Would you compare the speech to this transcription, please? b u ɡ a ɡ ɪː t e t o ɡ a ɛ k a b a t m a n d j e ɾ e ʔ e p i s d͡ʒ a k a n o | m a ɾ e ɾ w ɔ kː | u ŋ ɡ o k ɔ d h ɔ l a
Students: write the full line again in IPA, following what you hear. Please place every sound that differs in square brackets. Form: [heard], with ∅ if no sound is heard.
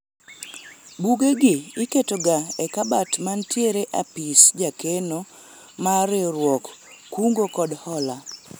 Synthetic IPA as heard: b u ɡ [e] ɡ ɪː [k] e t o ɡ a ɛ k a b a t m a n [t] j e ɾ e ʔ [a] p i s d͡ʒ a k [e] n o | m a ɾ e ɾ w ɔ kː | u ŋ ɡ o k ɔ d h ɔ l a